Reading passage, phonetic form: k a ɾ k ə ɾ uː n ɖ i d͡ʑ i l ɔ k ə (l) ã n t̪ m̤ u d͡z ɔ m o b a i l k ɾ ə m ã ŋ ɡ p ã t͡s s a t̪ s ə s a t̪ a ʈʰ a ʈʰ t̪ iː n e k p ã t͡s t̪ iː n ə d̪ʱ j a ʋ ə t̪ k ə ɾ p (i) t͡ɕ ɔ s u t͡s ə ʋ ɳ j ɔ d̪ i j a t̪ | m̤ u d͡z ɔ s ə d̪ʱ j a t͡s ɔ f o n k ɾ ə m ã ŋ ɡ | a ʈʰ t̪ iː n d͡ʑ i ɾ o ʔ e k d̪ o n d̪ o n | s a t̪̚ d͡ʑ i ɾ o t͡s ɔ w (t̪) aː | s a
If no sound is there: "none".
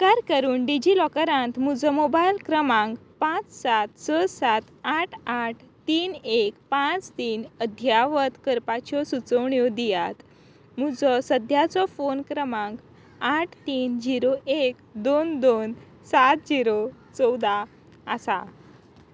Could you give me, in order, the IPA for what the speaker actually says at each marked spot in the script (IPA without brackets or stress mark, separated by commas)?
ɾ, a, d̪